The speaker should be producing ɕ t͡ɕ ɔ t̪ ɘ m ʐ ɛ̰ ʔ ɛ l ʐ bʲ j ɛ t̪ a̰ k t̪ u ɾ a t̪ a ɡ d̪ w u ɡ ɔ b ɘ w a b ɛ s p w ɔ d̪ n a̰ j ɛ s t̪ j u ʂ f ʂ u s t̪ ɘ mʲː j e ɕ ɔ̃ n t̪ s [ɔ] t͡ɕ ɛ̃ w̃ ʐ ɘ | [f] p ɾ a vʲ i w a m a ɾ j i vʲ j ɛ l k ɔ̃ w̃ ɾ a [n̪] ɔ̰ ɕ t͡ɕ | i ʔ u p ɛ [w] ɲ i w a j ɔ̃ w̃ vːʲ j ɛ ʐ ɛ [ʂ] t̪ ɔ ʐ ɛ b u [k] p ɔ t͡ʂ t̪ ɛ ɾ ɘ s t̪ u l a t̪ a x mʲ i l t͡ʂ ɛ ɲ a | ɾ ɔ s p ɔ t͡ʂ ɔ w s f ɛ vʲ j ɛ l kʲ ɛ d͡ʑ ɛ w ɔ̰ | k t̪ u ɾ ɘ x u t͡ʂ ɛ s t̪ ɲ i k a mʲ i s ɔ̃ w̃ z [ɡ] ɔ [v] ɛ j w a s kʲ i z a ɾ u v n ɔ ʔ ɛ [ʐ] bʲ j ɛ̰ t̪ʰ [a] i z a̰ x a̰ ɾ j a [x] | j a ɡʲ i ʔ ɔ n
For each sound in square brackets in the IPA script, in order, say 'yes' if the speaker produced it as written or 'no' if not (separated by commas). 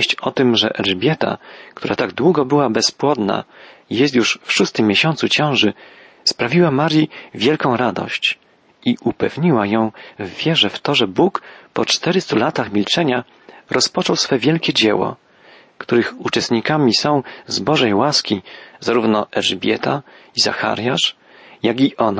no, no, no, no, no, yes, no, no, yes, yes, no